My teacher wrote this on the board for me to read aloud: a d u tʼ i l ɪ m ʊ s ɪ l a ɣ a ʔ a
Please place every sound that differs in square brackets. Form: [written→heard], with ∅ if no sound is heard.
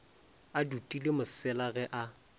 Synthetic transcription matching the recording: a d u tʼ i l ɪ m ʊ s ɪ l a ɣ [a→ɛ] ʔ a